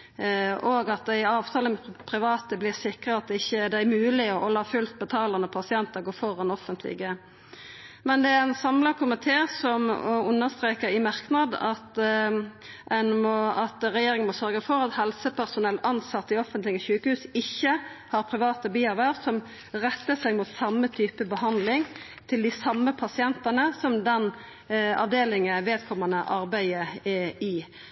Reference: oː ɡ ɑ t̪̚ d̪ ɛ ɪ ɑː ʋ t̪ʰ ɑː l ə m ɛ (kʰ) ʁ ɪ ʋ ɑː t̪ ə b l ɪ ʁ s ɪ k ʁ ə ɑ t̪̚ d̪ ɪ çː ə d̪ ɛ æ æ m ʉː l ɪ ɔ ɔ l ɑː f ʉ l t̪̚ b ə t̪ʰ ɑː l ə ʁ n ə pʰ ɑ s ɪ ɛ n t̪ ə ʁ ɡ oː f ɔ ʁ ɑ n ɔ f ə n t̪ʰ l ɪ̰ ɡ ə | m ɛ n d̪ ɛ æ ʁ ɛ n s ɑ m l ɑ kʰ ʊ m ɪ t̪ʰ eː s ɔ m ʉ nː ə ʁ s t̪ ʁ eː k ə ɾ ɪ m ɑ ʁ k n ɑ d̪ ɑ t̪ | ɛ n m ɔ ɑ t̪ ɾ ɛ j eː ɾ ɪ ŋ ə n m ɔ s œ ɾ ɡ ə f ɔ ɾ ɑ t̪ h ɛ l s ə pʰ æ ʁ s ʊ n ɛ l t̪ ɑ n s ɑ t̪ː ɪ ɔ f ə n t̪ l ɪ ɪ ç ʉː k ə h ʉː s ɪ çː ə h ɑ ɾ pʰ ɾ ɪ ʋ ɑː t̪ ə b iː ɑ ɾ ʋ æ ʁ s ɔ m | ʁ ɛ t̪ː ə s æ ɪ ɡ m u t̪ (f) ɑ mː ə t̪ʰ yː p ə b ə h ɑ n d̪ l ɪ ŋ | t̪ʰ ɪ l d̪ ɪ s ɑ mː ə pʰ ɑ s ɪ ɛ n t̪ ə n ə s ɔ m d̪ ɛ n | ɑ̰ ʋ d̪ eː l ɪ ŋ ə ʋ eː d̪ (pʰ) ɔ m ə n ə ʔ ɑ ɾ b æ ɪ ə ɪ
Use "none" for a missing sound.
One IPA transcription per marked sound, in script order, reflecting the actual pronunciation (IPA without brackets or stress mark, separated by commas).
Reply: pʰ, s, kʰ